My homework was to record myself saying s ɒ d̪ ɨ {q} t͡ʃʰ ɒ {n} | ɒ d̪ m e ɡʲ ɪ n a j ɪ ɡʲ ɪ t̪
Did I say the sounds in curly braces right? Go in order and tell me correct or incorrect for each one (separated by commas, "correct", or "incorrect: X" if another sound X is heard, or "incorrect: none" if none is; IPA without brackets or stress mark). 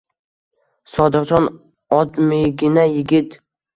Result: correct, correct